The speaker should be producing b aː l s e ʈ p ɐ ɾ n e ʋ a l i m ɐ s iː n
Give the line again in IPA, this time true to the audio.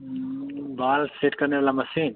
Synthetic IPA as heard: b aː l s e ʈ k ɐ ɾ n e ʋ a l a m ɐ s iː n